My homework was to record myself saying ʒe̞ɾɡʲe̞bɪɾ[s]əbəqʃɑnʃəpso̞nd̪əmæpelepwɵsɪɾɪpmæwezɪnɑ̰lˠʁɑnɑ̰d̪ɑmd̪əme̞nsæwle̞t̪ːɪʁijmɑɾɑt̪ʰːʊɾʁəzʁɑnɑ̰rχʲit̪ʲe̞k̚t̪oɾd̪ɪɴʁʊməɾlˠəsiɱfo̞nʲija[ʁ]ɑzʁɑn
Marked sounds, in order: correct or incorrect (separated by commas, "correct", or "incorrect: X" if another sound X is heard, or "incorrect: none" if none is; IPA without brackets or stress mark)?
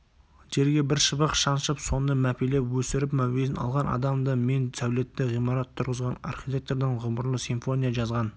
incorrect: ʃ, incorrect: ʒ